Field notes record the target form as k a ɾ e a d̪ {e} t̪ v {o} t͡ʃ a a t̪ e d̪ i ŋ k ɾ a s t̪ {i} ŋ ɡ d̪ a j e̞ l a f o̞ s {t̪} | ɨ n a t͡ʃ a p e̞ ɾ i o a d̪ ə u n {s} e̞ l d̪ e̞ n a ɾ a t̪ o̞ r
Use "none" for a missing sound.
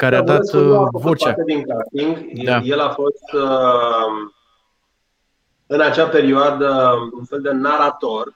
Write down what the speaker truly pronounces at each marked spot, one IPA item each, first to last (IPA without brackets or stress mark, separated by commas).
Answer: a, o, i, t̪, f